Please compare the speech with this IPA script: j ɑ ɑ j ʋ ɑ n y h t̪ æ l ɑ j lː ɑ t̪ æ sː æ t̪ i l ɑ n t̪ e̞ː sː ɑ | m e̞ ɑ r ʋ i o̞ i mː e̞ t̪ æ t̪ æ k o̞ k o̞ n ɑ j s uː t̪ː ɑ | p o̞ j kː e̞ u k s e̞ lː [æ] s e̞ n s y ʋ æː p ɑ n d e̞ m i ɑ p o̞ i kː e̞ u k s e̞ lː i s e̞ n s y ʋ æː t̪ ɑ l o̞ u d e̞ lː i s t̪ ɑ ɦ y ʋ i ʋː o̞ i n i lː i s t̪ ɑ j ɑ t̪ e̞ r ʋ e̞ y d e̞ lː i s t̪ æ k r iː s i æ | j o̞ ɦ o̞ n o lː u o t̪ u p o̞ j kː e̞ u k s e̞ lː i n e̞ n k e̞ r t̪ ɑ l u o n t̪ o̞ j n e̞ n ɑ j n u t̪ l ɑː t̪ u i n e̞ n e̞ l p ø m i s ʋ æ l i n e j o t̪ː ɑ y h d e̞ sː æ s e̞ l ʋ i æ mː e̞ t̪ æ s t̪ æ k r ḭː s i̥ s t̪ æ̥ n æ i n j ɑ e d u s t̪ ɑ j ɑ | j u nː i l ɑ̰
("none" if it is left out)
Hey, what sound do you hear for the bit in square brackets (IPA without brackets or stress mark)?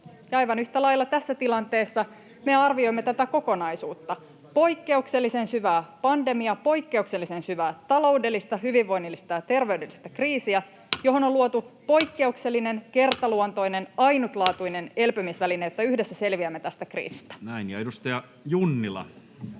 i